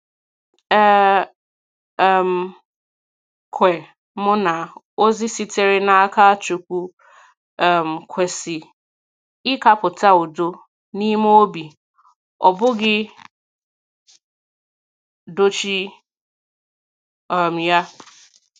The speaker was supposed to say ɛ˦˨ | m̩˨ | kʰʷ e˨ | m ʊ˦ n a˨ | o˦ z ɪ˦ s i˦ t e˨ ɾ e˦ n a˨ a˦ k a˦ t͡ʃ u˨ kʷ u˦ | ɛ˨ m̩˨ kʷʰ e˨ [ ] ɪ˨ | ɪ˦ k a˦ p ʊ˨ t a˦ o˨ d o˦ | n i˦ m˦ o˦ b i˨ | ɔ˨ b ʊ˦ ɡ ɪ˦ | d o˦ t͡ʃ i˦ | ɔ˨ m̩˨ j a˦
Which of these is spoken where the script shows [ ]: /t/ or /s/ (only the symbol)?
s